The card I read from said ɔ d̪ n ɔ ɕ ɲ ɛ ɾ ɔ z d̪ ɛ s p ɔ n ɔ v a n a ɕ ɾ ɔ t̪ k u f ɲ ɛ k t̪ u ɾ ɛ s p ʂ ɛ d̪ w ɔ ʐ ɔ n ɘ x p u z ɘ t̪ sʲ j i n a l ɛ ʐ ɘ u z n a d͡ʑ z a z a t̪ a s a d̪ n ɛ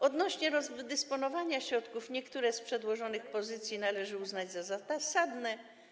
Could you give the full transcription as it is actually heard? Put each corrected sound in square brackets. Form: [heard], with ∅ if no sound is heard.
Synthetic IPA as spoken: ɔ d̪ n ɔ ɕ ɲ ɛ ɾ ɔ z d̪ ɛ s p ɔ n ɔ v a [ɲ] a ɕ ɾ ɔ t̪ k u f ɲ ɛ k t̪ u ɾ ɛ s p ʂ ɛ d̪ w ɔ ʐ ɔ n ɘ x p [ɔ] z ɘ t̪ sʲ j i n a l ɛ ʐ ɘ u z n a d͡ʑ z a z a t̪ a s a d̪ n ɛ